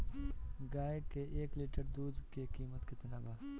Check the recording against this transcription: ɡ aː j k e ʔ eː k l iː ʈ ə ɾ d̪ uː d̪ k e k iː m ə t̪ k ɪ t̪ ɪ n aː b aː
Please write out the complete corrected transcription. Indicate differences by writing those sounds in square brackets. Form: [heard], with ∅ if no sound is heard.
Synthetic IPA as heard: ɡ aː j k e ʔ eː k l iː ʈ ə ɾ d̪ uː d̪ k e k iː m ə t̪ k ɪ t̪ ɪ n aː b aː